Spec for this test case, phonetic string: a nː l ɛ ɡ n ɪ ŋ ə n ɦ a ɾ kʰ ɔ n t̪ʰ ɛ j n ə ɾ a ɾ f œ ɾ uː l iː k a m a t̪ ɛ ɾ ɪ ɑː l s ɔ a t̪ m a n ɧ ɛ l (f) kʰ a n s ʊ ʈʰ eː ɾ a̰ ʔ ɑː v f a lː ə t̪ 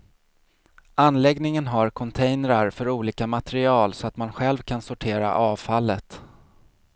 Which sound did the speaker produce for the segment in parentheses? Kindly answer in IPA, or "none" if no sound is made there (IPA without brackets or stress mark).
v